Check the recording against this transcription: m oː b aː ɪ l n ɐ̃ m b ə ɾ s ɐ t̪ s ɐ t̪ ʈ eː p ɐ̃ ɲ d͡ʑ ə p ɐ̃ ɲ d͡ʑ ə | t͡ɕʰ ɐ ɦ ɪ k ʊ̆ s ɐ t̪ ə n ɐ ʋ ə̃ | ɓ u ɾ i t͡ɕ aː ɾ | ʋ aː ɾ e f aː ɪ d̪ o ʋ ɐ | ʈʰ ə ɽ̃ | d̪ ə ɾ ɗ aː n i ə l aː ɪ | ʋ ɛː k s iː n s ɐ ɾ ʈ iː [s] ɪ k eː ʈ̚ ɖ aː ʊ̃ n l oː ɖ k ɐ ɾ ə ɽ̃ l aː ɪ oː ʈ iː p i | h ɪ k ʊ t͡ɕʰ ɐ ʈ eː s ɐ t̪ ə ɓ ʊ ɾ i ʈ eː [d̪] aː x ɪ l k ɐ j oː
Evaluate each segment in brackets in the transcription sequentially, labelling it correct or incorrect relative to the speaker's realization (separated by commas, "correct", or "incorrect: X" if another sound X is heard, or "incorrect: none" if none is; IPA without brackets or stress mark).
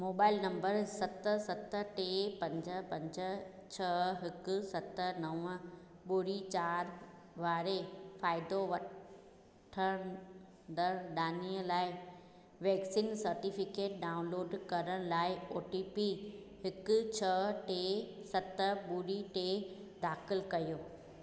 incorrect: f, correct